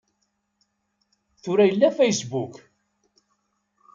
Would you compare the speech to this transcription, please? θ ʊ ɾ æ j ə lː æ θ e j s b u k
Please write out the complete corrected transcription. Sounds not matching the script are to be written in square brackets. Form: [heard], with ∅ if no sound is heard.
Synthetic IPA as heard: θ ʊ ɾ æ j ə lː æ [f] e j s b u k